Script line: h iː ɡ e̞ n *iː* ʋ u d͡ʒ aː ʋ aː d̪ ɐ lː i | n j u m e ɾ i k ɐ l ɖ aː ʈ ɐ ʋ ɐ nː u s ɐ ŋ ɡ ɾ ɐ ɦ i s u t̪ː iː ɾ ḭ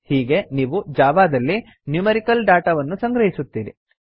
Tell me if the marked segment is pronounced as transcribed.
yes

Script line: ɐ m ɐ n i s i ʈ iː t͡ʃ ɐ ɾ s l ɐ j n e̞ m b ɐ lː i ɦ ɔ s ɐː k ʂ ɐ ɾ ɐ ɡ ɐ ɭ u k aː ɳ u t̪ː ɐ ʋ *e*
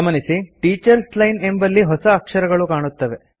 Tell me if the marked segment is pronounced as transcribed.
yes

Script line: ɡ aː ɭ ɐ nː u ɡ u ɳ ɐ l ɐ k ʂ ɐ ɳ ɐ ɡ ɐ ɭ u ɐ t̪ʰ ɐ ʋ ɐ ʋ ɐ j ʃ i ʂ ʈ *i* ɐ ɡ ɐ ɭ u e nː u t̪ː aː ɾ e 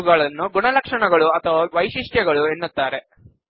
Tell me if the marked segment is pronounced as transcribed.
no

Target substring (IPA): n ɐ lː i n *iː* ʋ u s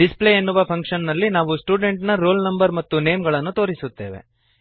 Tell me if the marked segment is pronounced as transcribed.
no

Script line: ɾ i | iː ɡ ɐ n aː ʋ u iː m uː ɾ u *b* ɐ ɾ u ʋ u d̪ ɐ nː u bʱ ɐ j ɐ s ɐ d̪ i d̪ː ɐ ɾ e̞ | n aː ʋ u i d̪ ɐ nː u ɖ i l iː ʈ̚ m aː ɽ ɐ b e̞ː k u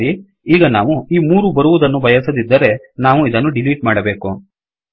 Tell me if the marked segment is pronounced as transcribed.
yes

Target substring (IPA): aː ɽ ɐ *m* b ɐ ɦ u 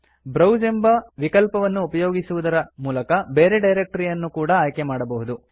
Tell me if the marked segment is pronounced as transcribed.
no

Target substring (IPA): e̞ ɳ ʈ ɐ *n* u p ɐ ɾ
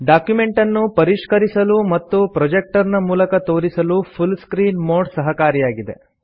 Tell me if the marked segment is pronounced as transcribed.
no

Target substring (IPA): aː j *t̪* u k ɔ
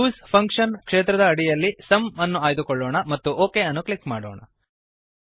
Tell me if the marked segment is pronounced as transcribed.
no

